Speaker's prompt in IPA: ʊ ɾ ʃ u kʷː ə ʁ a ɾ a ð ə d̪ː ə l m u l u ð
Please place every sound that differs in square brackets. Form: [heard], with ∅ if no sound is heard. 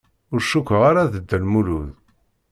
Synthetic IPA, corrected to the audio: ʊ ɾ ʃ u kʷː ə ʁ a ɾ a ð ə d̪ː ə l m u l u ð